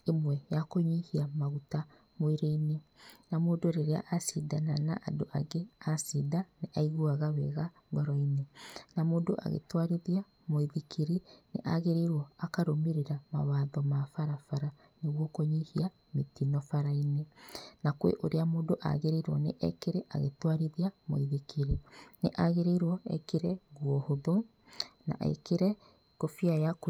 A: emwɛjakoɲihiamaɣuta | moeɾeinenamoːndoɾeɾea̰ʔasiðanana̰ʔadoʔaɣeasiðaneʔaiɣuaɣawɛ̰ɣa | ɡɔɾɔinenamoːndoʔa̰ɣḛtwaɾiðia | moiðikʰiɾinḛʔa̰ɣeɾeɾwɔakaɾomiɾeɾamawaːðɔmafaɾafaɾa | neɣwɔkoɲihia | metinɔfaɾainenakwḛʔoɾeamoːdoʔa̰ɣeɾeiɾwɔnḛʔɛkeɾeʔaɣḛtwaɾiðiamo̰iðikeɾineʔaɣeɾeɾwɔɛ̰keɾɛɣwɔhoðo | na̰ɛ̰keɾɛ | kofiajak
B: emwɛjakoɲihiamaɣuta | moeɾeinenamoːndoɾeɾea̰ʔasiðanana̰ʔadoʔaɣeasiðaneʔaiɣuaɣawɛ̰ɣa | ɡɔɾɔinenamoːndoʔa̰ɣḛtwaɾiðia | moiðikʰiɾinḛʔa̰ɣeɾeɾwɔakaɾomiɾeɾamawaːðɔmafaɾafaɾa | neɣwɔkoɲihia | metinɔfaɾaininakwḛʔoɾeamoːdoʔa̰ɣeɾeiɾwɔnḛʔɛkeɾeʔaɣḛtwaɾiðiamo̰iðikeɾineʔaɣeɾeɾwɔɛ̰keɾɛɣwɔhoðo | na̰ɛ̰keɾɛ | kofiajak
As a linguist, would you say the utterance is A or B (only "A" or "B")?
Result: A